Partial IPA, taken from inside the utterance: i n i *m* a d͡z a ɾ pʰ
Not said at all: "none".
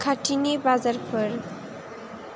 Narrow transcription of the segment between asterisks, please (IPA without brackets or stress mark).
b